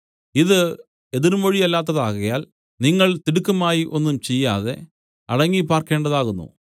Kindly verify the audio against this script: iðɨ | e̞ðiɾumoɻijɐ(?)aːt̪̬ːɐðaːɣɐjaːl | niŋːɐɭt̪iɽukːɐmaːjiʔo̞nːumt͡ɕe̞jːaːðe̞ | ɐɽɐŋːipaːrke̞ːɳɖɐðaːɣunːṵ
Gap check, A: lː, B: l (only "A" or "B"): A